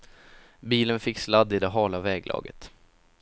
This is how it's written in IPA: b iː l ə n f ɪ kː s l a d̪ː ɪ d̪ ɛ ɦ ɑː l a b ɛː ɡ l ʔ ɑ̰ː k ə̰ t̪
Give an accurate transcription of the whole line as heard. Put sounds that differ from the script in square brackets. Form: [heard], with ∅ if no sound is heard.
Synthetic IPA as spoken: b iː l ə n f ɪ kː s l a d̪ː ɪ d̪ ɛ ɦ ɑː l a [v] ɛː ɡ l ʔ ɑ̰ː [ɡ] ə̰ t̪